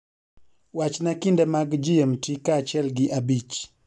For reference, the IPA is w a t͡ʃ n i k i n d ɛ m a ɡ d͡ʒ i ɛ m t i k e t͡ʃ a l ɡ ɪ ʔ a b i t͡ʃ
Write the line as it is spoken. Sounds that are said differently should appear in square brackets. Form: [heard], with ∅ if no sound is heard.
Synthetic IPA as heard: w a t͡ʃ n [a] k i n d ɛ m a ɡ d͡ʒ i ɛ m t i k [a] t͡ʃ [ɛ] l ɡ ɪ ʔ a b i t͡ʃ